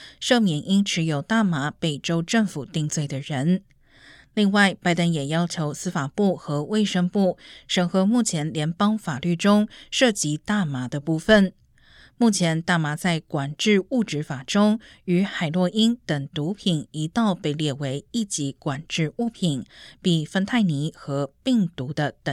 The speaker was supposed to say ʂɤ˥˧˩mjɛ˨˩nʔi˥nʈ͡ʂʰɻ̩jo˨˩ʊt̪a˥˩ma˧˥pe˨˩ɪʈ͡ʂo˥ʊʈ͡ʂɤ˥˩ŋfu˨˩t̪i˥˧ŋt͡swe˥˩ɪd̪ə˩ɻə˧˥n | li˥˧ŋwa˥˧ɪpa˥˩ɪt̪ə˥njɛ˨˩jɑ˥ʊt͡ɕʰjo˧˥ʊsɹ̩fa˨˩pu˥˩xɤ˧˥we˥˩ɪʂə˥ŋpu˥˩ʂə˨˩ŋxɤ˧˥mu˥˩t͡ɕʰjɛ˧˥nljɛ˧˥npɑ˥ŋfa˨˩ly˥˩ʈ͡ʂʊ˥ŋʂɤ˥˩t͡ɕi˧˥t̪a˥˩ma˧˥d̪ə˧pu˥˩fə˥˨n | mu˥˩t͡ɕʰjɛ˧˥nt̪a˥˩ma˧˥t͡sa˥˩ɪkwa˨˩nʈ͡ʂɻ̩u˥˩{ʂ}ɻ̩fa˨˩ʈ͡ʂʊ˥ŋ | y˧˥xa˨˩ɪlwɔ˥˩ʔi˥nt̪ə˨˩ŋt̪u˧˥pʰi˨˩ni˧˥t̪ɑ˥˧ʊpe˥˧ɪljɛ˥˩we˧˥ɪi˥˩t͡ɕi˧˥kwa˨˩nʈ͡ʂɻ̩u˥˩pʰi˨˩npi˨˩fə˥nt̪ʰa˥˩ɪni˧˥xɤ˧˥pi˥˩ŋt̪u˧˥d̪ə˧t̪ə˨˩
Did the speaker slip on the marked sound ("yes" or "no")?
yes